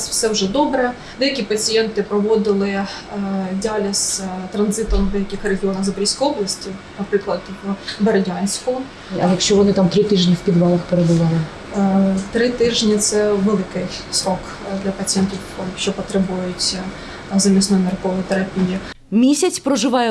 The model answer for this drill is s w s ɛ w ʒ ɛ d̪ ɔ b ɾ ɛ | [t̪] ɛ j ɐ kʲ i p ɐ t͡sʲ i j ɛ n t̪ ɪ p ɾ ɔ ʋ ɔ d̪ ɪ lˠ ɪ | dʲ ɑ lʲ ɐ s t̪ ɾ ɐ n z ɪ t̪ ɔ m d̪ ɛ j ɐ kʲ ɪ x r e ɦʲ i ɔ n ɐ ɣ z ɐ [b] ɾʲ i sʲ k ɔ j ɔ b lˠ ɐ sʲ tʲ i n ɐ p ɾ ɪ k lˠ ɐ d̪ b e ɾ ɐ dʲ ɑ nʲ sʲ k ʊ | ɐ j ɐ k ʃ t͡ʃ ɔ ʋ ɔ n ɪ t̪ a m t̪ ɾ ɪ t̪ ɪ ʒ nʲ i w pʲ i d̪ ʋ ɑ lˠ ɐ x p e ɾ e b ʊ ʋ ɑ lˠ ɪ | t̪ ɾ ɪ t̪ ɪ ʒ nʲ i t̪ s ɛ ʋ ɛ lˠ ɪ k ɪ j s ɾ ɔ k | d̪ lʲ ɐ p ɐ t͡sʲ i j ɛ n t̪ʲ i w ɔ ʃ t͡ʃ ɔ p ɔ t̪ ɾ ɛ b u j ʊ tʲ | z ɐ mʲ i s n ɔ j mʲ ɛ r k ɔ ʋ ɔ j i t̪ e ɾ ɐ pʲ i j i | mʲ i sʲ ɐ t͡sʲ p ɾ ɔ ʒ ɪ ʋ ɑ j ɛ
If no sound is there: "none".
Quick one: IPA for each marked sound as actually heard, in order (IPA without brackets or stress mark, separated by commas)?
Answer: d̪, b